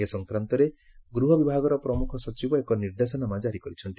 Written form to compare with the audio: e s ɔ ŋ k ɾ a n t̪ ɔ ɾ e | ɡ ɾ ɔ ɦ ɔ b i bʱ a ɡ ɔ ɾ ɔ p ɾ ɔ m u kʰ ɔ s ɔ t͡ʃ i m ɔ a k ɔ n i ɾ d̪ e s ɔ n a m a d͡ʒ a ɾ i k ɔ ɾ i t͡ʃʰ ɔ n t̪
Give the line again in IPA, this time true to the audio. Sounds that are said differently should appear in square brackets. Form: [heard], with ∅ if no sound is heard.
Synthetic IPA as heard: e s ɔ ŋ k ɾ a n t̪ ɔ ɾ e | ɡ ɾ [u] ɦ ɔ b i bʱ a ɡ ɔ ɾ ɔ p ɾ ɔ m u kʰ ɔ s ɔ t͡ʃ i [b] ɔ [e] k ɔ n i ɾ d̪ e s ɔ n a m a d͡ʒ a ɾ i k ɔ ɾ i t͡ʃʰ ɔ n t̪